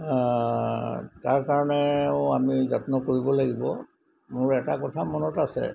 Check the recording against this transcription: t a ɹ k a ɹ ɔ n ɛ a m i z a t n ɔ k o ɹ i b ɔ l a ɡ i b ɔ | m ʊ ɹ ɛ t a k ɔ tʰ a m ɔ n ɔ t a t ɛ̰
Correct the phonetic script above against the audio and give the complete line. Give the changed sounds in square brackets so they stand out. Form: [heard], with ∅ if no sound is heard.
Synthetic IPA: t a ɹ k a ɹ ɔ n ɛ a m i z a t n ɔ k o ɹ i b ɔ l a ɡ i b ɔ | m ʊ ɹ ɛ t a k ɔ tʰ a m ɔ n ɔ t a [s] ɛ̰